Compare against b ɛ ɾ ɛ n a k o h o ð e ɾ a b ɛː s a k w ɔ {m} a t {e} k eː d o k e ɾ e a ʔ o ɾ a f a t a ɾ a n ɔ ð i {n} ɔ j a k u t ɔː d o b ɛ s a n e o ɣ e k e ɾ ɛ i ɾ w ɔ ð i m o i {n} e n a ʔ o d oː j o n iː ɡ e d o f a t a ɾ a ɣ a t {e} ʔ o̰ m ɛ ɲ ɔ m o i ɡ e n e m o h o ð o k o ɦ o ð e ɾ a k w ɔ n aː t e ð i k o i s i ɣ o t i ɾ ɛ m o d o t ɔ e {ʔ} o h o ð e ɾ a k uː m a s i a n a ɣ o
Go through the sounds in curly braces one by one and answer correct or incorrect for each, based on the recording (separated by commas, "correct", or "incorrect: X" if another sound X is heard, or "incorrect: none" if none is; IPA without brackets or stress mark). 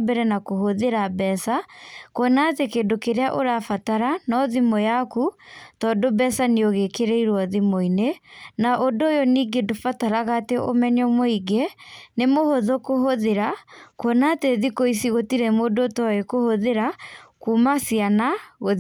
incorrect: n, correct, incorrect: m, correct, correct, incorrect: k